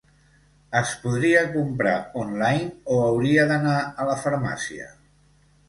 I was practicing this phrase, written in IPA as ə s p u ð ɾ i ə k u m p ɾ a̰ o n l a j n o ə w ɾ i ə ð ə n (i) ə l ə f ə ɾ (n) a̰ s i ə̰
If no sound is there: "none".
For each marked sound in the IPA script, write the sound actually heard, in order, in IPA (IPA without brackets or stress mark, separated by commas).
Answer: a, m